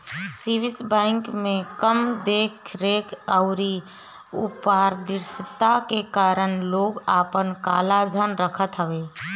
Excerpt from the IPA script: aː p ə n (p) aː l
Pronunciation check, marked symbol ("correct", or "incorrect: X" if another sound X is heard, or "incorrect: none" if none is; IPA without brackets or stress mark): incorrect: k